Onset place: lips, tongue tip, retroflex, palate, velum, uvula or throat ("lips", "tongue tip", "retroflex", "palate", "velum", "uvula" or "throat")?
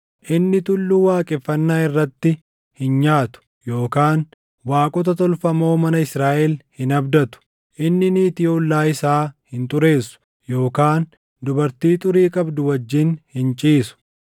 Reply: throat